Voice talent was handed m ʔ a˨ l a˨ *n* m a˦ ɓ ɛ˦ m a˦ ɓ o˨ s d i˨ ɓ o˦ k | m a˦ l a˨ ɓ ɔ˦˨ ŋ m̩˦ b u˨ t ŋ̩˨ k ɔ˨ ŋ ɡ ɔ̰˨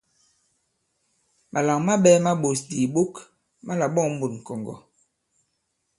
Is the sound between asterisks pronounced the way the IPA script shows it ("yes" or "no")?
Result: no